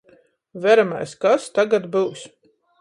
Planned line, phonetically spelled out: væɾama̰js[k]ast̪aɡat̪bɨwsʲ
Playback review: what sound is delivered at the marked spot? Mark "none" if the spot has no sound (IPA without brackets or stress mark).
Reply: k